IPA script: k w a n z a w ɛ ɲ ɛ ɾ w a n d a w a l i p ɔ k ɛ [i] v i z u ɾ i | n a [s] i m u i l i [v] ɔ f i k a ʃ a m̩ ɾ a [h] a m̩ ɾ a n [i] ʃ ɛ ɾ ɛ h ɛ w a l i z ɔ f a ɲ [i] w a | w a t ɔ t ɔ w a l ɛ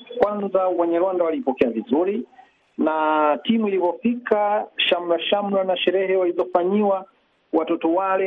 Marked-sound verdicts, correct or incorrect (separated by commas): incorrect, incorrect, correct, incorrect, incorrect, correct